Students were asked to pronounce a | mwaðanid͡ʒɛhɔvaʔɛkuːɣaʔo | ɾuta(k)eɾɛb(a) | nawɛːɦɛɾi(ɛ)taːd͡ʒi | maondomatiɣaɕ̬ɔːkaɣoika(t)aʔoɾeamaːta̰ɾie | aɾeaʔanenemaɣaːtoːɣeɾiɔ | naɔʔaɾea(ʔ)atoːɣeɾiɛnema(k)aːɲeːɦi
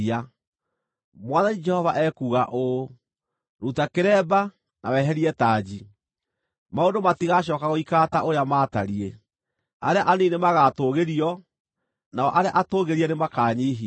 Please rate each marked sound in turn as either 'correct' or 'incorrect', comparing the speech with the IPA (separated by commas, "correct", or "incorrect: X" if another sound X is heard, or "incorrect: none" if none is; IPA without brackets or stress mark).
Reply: correct, correct, correct, correct, correct, correct